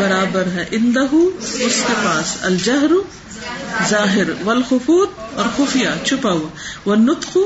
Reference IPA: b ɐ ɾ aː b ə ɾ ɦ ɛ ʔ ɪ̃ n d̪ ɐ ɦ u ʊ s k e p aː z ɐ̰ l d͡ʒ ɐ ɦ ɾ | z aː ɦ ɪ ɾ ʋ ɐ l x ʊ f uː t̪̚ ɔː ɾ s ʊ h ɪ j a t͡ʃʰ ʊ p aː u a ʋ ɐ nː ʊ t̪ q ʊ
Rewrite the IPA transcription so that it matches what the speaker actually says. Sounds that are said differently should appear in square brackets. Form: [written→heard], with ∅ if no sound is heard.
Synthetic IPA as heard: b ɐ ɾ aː b ə ɾ ɦ ɛ ʔ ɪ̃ n d̪ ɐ ɦ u ʊ s k e p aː [z→s] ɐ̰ l d͡ʒ ɐ ɦ ɾ | z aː ɦ ɪ ɾ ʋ ɐ l x ʊ f uː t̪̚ ɔː ɾ [s→x] ʊ [h→f] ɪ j a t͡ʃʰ ʊ p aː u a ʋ ɐ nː ʊ t̪ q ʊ